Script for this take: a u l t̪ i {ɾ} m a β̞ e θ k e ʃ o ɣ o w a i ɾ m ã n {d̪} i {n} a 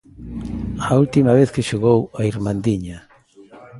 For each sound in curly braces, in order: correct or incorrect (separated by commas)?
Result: incorrect, correct, incorrect